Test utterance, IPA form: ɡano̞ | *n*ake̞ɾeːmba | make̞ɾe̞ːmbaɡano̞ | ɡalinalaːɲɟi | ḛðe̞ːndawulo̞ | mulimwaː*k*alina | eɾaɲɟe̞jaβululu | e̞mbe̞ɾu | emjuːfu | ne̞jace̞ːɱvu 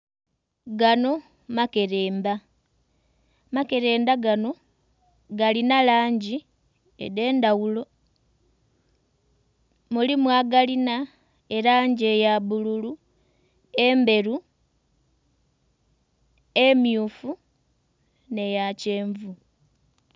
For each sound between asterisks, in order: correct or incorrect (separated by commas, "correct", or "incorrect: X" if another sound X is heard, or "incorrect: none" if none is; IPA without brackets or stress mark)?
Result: incorrect: m, incorrect: ɡ